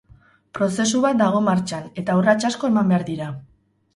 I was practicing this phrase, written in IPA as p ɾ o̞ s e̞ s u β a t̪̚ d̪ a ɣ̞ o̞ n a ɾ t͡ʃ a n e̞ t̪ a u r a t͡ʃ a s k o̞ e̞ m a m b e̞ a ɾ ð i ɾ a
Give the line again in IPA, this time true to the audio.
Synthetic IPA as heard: p ɾ o̞ s e̞ s u β a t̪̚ d̪ a ɣ̞ o̞ m a ɾ t͡ʃ a n e̞ t̪ a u r a t͡ʃ a s k o̞ e̞ m a m b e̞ a ɾ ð i ɾ a